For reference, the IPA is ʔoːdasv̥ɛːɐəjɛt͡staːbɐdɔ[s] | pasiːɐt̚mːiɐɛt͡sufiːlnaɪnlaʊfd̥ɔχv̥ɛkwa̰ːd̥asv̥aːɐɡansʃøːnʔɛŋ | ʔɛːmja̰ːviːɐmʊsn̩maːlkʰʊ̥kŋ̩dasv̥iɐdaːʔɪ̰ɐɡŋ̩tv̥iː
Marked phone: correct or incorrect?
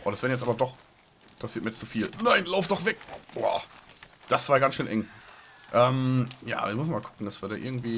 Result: incorrect: χ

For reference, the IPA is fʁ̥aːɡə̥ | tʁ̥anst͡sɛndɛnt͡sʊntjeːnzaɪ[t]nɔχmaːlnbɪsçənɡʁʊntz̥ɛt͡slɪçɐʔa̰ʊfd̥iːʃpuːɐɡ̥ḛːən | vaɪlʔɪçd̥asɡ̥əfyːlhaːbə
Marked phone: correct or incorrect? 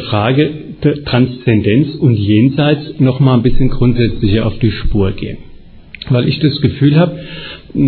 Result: incorrect: t͡s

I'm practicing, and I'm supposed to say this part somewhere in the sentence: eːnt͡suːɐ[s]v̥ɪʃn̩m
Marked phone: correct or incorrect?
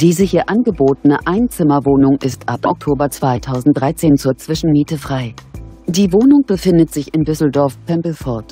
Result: incorrect: t͡s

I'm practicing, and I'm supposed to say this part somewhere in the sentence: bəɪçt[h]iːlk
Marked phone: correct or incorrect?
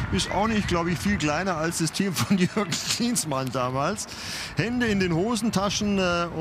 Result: incorrect: f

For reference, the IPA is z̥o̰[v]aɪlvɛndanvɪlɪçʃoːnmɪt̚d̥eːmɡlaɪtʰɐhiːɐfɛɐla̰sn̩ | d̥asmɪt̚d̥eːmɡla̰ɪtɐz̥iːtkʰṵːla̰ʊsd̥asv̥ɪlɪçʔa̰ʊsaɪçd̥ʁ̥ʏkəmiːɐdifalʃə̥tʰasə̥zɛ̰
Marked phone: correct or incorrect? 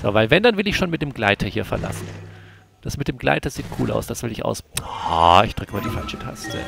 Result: correct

